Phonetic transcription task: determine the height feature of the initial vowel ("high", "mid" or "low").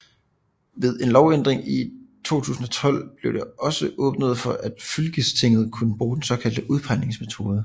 mid